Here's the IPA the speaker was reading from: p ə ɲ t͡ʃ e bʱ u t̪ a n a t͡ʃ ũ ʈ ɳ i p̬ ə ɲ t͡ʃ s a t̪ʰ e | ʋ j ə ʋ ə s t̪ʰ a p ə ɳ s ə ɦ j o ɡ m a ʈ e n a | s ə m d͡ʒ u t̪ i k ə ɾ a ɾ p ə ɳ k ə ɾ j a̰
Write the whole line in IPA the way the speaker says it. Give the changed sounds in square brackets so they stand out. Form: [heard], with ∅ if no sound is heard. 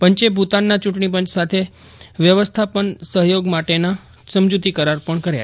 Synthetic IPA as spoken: p ə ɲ t͡ʃ e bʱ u t̪ a [nː] a t͡ʃ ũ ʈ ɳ i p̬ ə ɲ t͡ʃ s a t̪ʰ e | ʋ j ə ʋ ə s t̪ʰ a p ə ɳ s ə ɦ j o ɡ m a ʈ e n a | s ə m d͡ʒ u t̪ i k ə ɾ a ɾ p ə ɳ k ə ɾ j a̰